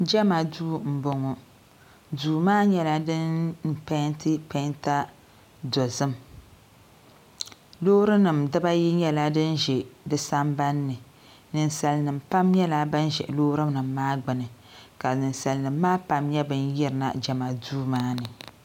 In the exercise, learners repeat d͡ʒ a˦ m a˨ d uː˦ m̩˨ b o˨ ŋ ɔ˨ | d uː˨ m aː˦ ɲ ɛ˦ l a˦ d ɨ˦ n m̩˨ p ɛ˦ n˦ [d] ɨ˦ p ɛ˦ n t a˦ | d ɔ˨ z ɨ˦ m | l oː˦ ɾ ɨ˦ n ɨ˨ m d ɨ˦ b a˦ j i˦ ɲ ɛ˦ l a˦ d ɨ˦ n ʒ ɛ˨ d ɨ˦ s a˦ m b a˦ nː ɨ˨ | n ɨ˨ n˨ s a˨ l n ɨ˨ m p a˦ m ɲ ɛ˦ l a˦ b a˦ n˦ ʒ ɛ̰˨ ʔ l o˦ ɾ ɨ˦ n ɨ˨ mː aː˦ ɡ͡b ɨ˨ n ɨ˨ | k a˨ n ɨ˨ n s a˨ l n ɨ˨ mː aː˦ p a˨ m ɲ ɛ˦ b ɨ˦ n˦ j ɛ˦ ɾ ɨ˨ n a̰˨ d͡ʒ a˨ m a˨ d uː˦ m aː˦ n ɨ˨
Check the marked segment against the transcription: incorrect: t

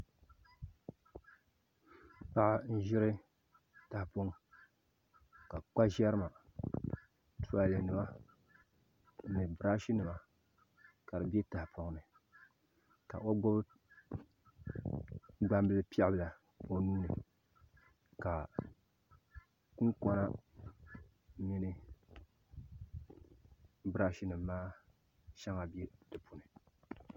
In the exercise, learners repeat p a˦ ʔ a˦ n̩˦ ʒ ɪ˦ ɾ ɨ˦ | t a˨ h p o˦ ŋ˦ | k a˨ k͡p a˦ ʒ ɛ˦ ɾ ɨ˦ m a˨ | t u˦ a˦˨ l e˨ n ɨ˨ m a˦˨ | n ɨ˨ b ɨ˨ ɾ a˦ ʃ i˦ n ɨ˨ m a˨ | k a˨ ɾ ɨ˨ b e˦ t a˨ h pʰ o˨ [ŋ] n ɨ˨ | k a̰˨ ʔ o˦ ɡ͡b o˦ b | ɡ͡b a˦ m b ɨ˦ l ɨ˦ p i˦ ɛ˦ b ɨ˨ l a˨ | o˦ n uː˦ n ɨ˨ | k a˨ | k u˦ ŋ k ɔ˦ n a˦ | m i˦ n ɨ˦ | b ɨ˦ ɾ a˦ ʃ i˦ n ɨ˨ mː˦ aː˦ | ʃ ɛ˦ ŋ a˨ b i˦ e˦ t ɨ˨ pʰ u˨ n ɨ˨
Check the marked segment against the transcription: correct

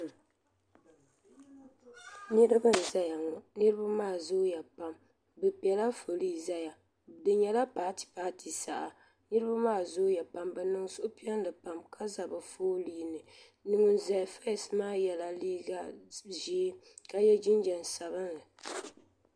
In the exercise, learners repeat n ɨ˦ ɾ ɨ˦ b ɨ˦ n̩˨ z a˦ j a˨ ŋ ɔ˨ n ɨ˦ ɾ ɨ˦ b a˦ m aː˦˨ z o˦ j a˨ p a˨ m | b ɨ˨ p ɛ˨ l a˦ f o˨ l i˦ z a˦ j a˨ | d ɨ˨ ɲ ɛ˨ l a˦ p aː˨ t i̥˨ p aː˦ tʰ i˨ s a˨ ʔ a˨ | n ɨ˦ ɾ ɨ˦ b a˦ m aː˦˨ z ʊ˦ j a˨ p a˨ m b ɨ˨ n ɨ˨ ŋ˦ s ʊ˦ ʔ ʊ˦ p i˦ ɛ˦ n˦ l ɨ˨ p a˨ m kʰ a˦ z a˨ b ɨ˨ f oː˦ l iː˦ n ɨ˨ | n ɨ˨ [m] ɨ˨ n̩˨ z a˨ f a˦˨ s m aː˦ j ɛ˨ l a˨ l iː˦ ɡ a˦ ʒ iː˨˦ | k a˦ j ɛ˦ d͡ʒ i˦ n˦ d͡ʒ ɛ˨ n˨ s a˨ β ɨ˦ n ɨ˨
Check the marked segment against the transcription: incorrect: ŋ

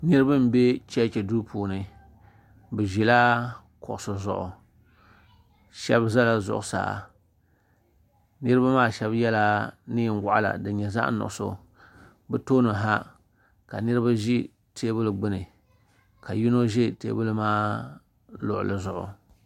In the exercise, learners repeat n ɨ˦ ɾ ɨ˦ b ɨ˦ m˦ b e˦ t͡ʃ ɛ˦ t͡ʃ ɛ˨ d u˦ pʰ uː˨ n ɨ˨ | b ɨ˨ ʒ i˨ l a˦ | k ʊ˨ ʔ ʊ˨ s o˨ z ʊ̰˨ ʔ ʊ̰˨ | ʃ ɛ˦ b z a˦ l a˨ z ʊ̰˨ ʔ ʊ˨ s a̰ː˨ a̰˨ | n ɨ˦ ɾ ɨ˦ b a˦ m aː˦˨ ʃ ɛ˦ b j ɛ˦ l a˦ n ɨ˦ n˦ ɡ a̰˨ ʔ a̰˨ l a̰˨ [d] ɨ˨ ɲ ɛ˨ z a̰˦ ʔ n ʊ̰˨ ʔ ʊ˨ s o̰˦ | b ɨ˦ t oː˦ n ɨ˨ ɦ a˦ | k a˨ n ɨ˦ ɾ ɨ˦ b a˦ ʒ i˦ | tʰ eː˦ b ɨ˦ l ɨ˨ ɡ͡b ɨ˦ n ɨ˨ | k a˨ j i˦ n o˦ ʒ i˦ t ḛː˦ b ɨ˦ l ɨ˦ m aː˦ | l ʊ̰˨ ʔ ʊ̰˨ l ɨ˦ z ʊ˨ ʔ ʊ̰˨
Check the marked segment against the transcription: correct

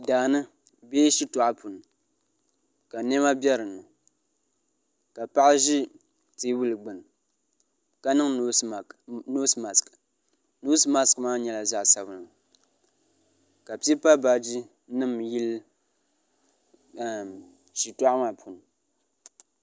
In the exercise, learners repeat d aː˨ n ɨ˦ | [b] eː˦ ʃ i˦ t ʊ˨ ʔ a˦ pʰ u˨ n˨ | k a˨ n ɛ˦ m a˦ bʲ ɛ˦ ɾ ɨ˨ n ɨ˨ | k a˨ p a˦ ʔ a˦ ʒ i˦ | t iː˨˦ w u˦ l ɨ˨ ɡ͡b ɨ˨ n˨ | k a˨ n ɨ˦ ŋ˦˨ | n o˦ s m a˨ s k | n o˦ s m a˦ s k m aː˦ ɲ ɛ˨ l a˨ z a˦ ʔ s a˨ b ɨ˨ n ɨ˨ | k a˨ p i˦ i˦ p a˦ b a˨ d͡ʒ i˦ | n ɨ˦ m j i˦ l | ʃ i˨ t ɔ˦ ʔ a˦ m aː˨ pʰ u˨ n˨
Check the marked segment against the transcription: correct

